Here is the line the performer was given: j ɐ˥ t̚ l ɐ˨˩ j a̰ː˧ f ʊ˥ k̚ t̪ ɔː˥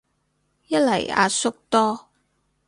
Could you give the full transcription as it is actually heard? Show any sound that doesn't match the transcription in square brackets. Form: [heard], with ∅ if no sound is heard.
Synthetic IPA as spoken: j ɐ˥ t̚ l ɐ˨˩ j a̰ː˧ [s] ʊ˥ k̚ t̪ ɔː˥